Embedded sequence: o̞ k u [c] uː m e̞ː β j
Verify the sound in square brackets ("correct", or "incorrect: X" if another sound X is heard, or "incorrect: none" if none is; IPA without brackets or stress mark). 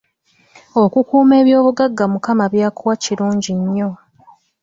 incorrect: k